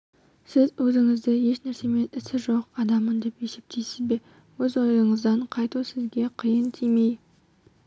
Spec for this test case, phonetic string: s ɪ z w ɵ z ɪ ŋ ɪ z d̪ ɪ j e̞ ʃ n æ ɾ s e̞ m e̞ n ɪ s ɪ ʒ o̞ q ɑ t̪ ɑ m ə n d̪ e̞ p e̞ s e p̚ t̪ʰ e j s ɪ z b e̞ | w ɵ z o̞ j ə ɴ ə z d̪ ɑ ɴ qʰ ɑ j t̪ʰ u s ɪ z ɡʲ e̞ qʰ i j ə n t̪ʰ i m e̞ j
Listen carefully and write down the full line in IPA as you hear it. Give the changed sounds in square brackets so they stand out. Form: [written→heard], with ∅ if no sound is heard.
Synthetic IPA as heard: s ɪ z w ɵ z ɪ ŋ ɪ z d̪ ɪ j e̞ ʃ n æ ɾ s e̞ m e̞ n ɪ s ɪ ʒ o̞ q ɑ [t̪→d̪] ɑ m ə n d̪ e̞ p e̞ s e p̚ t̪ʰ e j s ɪ z b e̞ | w ɵ z o̞ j ə ɴ ə z d̪ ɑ ɴ qʰ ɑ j [t̪ʰ→t̪] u s ɪ z ɡʲ e̞ qʰ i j ə n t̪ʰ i m e̞ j